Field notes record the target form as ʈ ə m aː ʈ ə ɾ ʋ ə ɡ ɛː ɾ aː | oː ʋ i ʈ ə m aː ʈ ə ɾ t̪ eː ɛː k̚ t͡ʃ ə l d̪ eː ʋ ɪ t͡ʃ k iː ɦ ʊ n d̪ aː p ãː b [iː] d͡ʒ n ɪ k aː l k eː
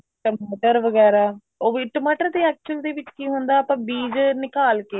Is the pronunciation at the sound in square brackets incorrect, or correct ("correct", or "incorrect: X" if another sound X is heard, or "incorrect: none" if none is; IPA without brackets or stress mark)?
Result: correct